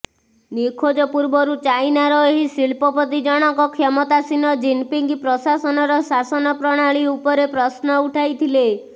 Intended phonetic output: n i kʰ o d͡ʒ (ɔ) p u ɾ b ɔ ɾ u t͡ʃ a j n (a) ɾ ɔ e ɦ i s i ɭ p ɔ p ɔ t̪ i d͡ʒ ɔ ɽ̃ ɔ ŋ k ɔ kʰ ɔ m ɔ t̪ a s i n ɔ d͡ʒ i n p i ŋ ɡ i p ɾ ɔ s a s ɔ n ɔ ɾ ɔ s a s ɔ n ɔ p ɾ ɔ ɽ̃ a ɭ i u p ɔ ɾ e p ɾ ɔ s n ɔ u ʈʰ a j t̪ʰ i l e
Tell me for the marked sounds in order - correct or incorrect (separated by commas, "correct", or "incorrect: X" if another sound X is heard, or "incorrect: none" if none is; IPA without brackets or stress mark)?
correct, correct